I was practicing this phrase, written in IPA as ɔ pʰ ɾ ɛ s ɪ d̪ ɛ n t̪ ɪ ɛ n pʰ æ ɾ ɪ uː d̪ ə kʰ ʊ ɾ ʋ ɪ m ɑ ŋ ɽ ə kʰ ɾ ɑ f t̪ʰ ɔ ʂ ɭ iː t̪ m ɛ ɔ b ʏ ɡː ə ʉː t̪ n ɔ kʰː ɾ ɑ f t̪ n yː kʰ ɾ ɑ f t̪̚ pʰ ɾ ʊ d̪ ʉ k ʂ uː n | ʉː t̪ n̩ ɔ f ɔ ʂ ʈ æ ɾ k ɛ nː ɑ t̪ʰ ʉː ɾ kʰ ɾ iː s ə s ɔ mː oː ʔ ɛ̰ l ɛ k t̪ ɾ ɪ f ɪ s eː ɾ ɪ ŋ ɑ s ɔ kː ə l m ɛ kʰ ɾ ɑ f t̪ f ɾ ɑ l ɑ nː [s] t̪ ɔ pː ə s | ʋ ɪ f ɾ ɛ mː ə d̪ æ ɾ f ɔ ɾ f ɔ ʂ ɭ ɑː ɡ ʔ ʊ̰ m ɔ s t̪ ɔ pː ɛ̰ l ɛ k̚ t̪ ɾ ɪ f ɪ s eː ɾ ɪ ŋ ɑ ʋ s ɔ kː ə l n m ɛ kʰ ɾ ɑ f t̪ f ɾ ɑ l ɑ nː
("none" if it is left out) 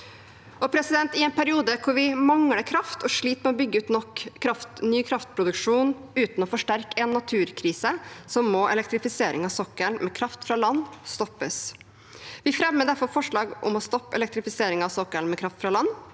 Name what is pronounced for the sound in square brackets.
s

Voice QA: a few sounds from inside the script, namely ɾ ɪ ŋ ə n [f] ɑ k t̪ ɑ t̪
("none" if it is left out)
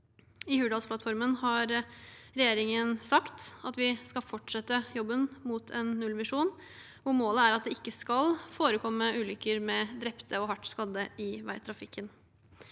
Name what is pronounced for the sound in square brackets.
s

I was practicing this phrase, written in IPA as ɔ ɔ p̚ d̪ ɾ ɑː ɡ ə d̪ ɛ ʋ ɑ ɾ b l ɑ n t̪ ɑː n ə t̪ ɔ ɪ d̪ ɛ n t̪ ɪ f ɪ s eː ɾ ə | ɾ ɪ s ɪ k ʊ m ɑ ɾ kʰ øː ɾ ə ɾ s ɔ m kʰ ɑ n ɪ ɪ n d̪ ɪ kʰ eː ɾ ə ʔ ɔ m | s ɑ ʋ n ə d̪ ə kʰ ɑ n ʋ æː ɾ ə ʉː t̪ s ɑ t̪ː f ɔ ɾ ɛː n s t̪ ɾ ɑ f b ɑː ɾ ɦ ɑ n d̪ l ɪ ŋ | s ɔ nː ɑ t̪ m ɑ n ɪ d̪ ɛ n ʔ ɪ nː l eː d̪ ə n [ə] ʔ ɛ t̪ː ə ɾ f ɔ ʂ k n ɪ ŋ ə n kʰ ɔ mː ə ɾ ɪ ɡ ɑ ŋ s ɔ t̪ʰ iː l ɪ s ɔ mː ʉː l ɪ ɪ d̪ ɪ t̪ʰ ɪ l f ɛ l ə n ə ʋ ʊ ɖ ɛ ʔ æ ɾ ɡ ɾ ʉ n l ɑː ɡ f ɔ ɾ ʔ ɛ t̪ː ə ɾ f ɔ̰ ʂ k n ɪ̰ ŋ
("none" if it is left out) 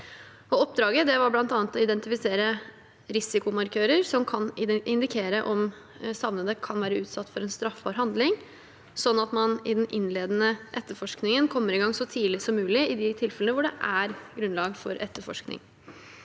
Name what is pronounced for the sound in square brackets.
ə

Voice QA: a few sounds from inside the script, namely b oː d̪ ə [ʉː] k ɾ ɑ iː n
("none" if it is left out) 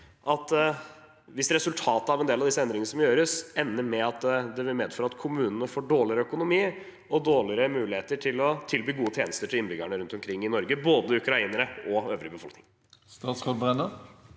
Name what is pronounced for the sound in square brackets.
ʉ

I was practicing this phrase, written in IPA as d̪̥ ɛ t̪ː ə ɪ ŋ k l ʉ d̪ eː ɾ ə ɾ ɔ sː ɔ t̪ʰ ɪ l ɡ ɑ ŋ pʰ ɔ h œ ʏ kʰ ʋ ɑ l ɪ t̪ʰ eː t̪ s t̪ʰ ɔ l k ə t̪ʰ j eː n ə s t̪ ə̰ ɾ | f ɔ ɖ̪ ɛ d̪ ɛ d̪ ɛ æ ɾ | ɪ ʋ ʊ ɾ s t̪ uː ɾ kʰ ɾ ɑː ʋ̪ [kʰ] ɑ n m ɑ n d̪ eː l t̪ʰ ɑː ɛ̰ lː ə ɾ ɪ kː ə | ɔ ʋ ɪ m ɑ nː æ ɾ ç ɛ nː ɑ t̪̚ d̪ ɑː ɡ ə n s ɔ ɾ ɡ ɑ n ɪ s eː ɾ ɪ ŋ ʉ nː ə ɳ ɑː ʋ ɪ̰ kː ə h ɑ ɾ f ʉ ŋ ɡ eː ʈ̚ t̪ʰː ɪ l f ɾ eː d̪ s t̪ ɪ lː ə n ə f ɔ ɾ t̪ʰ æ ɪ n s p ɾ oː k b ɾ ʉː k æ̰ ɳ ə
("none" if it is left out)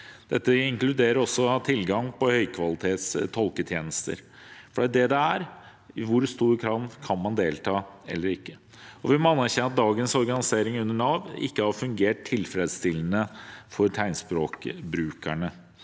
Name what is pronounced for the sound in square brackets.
kʰ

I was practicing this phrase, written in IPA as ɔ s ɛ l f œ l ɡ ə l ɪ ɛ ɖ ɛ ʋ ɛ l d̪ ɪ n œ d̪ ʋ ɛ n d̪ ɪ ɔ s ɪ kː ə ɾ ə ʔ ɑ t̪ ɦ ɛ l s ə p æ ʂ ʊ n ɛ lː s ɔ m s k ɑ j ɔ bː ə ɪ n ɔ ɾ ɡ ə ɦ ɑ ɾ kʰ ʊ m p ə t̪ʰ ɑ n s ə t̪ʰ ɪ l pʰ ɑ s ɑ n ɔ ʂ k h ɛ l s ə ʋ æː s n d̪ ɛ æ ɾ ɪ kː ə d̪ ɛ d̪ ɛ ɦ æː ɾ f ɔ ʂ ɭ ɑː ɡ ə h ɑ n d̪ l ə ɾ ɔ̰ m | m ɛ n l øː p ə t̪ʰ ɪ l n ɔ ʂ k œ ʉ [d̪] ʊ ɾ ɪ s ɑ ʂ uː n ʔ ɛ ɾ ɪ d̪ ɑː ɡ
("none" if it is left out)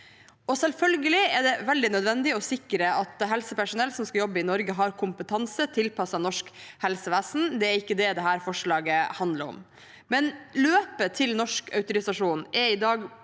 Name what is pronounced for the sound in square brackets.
t̪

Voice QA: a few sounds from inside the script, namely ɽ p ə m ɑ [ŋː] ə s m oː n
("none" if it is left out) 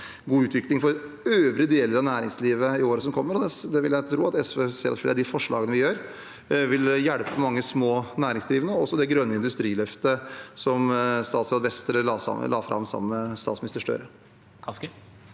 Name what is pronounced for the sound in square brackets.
ŋː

